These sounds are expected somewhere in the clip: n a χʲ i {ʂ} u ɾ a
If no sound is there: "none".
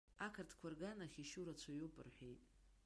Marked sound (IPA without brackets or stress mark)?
ʃ